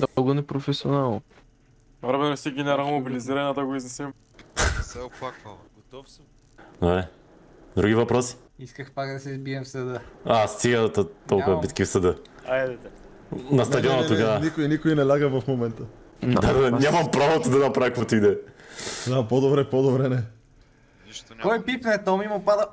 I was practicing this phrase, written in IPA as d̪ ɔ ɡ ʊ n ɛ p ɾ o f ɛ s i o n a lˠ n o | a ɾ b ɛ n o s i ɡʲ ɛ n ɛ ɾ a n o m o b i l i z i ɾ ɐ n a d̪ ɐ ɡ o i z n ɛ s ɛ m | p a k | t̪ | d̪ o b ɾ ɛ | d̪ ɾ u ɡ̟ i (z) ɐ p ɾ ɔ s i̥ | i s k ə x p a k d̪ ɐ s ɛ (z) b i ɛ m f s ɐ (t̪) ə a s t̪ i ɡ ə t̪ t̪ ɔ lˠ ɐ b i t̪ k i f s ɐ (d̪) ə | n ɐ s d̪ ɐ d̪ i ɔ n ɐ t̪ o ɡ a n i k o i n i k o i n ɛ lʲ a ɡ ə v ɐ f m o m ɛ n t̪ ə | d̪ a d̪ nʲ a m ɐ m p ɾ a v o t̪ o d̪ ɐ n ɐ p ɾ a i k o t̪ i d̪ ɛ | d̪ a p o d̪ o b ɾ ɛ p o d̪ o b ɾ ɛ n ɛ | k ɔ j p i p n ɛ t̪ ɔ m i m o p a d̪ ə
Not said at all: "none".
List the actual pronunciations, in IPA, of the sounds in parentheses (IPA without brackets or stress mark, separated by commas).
v, z, d̪, d̪